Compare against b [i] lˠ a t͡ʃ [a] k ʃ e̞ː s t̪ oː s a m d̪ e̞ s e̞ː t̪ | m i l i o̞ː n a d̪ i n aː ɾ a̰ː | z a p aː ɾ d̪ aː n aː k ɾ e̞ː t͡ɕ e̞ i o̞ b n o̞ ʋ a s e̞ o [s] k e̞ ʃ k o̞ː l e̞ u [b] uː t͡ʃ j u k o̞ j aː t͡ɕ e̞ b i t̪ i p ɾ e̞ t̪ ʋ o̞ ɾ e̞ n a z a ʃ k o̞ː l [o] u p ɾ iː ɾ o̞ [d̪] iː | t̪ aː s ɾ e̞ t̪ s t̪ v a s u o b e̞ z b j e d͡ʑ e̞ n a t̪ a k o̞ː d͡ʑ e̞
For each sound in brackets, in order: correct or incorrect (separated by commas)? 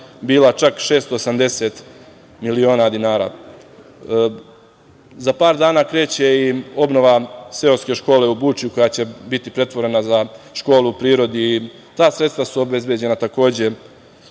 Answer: incorrect, correct, correct, correct, incorrect, correct